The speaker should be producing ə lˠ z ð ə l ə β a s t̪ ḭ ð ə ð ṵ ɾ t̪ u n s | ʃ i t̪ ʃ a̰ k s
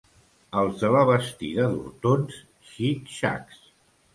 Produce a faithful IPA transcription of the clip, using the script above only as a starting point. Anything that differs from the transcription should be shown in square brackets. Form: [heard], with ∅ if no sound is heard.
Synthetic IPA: ə lˠ z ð ə l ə β [ə] s t̪ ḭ ð ə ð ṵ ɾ t̪ [o] n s | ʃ i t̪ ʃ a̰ k s